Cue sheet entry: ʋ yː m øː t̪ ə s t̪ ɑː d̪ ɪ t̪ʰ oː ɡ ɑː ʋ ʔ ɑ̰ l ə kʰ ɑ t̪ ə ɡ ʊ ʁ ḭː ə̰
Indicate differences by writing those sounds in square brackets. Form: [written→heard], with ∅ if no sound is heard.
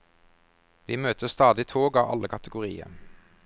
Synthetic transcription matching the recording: ʋ [yː→iː] m øː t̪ ə s t̪ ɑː d̪ ɪ t̪ʰ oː ɡ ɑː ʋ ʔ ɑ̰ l ə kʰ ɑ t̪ ə ɡ ʊ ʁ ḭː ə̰

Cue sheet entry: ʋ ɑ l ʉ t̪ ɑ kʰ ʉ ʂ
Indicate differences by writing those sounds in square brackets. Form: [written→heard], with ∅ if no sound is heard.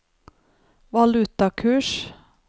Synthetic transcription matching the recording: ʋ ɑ l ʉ t̪ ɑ kʰ [ʉ→ʉː] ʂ

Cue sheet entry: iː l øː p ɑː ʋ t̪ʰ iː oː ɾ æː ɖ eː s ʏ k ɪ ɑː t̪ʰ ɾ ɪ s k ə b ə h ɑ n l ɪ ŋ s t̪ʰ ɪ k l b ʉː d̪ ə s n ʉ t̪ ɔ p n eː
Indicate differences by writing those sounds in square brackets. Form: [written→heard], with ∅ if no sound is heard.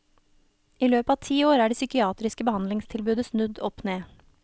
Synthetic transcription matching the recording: iː l øː p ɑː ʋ t̪ʰ iː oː ɾ æː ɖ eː s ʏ k ɪ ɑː [t̪ʰ→t̪] ɾ ɪ s k ə b ə h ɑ n l ɪ ŋ s t̪ʰ ɪ [k→∅] l b ʉː d̪ ə s n ʉ [t̪→d̪] ɔ p n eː

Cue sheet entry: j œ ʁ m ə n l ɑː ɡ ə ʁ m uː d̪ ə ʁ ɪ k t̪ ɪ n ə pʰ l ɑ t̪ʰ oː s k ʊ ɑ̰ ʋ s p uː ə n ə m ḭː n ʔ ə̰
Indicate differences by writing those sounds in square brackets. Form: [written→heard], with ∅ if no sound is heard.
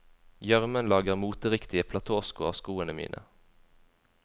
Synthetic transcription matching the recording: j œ ʁ m ə n l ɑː ɡ ə ʁ m uː [d̪→t̪] ə ʁ ɪ k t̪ ɪ [n→∅] ə pʰ l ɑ t̪ʰ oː s k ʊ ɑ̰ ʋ s [p→k] uː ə n ə m ḭː n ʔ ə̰

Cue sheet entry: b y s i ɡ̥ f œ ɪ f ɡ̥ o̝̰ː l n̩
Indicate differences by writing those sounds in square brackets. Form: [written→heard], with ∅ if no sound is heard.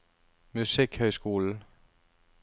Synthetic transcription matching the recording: [b→m] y s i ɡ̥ [f→h] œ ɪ [f→s] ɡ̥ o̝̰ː l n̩

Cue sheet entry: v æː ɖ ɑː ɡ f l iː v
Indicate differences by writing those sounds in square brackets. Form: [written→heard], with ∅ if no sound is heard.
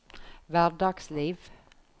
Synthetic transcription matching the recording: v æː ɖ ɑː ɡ [f→s] l iː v

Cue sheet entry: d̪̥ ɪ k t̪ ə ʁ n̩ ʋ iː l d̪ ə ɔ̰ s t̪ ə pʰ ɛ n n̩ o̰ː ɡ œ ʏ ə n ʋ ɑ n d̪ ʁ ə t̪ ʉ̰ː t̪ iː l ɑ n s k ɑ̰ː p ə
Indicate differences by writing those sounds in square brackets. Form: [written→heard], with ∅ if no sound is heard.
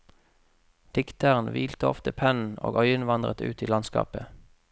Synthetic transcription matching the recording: d̪̥ ɪ k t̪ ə ʁ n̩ ʋ iː l [d̪→t̪] ə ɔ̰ [s→f] t̪ ə pʰ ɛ n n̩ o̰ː ɡ œ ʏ ə n ʋ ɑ n d̪ ʁ ə t̪ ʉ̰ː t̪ iː l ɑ n s k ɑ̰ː p ə

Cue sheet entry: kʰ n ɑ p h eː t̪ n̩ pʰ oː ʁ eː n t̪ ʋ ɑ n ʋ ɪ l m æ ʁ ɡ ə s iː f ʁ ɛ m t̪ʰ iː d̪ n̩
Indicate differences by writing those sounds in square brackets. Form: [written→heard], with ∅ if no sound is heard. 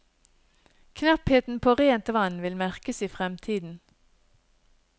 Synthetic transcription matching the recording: kʰ n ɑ p h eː t̪ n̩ pʰ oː ʁ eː n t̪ ʋ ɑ n ʋ ɪ l m æ ʁ [ɡ→k] ə s iː f ʁ ɛ m t̪ʰ iː d̪ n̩

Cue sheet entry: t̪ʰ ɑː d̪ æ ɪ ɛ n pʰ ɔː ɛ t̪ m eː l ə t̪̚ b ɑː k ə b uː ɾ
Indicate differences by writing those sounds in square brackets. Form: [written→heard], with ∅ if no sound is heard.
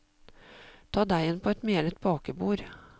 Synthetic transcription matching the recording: t̪ʰ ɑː d̪ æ ɪ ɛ n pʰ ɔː ɛ t̪ m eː l ə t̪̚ b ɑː k ə b uː ɾ

